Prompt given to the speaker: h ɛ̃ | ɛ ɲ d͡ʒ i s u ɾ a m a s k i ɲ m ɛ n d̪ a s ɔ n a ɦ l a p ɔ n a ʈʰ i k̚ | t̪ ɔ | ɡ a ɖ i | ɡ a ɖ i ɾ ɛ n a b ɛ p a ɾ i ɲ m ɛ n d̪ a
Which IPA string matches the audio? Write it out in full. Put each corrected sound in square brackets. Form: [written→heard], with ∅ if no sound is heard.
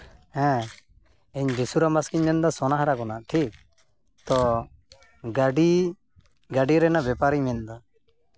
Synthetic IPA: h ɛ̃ | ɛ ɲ d͡ʒ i s u ɾ a m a s k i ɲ m ɛ n d̪ a s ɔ n a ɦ [l→ɾ] a [p→k] ɔ n a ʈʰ i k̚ | t̪ ɔ | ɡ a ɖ i | ɡ a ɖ i ɾ ɛ n a b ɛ p a ɾ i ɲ m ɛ n d̪ a